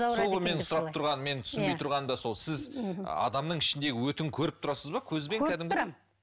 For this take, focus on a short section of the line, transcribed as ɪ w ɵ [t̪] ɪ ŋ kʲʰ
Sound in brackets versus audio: correct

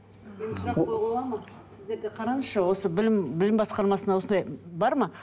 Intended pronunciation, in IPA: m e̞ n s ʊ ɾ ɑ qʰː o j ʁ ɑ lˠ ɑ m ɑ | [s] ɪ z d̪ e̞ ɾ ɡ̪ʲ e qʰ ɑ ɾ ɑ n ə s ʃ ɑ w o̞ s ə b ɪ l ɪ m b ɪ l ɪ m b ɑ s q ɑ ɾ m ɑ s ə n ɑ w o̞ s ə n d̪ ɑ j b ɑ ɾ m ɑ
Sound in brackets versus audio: correct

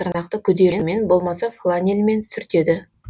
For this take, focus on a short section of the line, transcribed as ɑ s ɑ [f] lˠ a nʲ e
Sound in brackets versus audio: correct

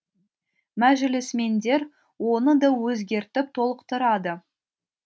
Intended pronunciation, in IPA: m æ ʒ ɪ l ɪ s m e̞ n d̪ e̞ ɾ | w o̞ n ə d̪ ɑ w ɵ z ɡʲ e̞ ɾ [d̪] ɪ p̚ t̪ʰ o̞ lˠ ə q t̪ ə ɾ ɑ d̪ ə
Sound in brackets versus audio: incorrect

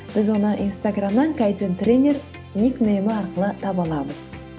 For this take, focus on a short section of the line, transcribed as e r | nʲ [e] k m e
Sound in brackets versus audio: incorrect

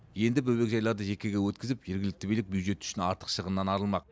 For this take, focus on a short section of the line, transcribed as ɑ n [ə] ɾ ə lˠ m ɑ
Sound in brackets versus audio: incorrect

